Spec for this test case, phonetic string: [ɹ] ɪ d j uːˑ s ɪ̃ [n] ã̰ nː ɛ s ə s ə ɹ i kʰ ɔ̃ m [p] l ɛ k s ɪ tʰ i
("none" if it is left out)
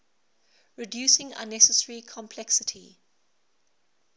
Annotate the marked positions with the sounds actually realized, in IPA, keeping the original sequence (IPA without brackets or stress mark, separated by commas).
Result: ɹ, ŋ, pʰ